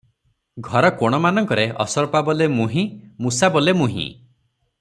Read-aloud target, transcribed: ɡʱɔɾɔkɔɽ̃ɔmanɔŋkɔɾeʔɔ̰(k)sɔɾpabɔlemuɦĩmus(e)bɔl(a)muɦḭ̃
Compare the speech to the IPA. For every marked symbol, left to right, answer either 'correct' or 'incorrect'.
incorrect: none, incorrect: a, incorrect: e

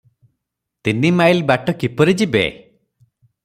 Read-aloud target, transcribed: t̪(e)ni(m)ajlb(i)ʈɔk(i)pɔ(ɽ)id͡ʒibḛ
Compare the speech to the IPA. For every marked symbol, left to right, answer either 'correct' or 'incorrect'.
incorrect: i, correct, incorrect: a, correct, incorrect: ɾ

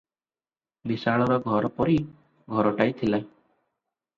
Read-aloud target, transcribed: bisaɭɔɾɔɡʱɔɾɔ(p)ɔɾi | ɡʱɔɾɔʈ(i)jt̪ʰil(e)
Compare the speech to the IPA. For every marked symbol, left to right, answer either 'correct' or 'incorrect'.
correct, incorrect: a, incorrect: a

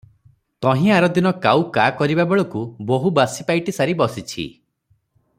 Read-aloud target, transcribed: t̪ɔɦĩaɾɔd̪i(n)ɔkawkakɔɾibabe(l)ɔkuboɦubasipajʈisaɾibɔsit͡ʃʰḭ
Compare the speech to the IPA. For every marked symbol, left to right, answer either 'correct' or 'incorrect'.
correct, incorrect: ɭ

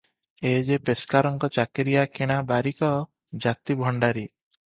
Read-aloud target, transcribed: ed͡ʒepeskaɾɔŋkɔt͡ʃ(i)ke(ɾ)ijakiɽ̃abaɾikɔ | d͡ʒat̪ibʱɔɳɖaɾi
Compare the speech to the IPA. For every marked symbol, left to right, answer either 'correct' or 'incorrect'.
incorrect: a, correct

